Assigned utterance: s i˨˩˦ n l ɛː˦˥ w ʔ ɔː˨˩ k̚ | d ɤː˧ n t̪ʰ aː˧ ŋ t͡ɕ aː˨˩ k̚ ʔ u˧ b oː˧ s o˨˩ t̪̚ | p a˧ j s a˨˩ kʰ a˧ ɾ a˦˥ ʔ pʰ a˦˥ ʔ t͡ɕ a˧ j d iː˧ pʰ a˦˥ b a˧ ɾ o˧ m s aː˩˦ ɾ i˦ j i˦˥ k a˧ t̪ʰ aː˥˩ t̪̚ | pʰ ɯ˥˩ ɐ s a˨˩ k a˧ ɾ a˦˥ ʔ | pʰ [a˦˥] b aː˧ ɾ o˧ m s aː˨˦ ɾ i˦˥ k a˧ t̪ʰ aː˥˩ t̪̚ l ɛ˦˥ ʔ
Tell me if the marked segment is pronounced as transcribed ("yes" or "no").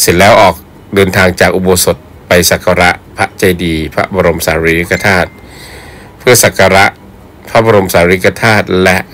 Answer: yes